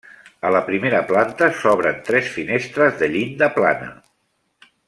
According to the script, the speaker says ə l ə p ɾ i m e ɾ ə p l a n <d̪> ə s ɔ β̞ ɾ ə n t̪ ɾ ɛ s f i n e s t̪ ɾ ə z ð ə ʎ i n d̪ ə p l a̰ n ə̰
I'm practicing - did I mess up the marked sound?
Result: yes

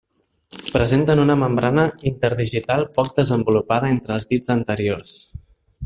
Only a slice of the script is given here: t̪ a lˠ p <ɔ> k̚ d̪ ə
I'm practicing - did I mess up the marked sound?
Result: no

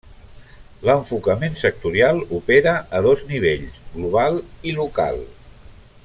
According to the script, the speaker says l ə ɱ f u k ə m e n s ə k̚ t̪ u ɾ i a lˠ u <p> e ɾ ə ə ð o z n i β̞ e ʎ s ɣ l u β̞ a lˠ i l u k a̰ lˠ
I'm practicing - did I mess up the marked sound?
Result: no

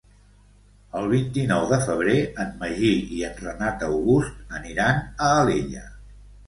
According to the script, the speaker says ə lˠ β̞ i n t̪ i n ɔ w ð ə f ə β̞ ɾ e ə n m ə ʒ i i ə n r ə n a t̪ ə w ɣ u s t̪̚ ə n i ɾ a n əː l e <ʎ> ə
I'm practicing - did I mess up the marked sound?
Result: no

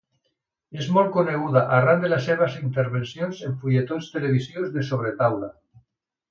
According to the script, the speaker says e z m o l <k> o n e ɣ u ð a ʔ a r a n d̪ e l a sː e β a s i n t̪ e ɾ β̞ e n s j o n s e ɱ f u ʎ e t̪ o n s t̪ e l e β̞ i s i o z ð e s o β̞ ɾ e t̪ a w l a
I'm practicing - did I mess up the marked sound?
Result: no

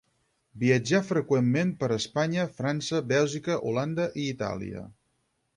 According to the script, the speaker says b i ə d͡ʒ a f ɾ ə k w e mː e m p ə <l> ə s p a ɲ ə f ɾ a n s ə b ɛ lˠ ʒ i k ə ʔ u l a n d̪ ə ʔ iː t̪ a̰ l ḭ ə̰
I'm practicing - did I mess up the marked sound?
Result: yes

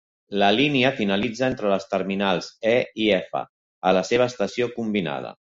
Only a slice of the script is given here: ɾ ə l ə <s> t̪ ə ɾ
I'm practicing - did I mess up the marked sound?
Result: no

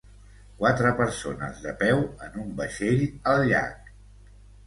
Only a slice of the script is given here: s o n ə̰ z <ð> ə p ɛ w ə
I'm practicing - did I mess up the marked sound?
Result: no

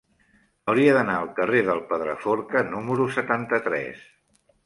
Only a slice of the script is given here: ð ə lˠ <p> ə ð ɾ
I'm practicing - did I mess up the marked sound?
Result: no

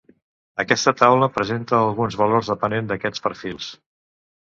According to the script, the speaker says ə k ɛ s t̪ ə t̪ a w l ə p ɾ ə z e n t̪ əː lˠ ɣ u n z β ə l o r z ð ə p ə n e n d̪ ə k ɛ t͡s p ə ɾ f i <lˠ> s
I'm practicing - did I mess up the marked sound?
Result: no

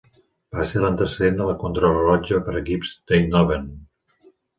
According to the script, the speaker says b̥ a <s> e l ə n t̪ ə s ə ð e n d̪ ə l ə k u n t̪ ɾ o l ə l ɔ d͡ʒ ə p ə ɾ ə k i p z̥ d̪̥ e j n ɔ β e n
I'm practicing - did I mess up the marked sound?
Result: no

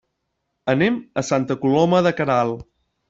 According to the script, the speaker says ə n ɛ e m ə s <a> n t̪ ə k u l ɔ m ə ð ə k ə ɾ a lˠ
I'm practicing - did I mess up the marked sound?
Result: no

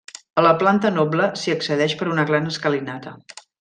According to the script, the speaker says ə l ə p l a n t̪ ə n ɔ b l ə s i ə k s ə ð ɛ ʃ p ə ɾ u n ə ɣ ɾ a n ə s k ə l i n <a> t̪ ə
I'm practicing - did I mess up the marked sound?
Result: no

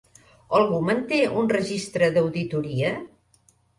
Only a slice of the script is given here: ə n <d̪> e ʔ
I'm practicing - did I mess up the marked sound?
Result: yes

